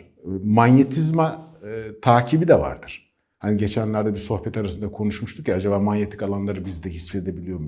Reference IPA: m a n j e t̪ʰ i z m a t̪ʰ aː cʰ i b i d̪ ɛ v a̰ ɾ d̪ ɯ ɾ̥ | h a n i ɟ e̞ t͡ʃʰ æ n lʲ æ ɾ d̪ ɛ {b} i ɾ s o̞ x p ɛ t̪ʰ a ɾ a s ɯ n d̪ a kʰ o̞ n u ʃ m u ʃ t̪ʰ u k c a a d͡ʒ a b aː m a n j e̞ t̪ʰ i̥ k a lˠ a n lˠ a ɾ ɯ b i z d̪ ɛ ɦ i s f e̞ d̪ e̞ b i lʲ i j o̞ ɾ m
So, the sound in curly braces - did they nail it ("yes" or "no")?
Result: yes